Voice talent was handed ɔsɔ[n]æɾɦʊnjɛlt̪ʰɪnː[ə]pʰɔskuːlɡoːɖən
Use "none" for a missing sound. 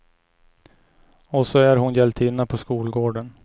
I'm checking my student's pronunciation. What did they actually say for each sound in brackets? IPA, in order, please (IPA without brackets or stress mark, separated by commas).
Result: none, a